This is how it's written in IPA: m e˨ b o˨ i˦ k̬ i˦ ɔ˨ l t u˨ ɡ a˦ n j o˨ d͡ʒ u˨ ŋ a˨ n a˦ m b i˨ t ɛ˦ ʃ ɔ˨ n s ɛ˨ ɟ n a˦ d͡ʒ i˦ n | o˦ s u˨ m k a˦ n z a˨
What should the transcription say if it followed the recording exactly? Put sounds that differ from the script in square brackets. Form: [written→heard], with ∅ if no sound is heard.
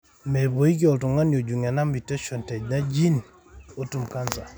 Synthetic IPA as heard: m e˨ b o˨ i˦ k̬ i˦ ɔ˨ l t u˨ [ɡ→ŋ] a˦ n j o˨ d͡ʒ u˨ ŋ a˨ n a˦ m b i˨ t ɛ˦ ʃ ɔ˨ n [s→t] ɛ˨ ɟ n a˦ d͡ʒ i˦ n | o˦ [s→t] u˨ m k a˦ n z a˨